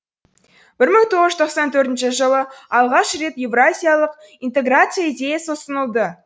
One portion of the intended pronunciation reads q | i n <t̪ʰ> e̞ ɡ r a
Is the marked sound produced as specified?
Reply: no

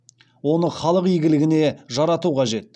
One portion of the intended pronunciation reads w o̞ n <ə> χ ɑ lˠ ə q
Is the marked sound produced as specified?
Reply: yes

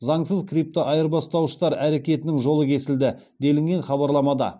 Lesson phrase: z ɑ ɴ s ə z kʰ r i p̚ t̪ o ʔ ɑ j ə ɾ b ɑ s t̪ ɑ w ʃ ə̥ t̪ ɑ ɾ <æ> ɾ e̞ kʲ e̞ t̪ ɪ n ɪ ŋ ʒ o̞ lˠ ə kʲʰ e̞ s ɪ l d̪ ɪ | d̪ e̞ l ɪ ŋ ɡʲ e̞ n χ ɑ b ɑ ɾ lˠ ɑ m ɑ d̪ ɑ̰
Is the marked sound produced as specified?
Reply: yes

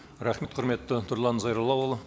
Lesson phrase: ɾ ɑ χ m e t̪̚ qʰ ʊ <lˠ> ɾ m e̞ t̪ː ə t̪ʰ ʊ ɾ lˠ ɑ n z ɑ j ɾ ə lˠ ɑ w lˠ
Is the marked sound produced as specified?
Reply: no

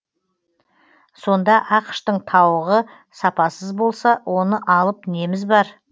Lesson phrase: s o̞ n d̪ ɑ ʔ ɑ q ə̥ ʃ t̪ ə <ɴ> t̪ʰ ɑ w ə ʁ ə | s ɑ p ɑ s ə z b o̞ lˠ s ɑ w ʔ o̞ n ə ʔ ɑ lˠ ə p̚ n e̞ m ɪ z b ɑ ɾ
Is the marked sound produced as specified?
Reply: yes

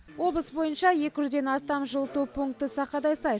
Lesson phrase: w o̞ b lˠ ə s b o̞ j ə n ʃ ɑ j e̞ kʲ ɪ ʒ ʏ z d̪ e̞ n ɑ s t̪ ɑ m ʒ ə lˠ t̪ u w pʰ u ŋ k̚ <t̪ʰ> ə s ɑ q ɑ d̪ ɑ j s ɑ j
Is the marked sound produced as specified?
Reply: no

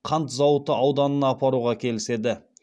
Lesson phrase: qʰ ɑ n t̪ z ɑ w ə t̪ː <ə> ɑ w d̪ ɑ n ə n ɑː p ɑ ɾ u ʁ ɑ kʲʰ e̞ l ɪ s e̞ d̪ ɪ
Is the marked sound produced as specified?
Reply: yes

